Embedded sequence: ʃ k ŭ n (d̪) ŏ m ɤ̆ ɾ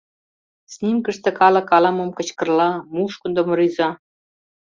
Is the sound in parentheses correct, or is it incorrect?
correct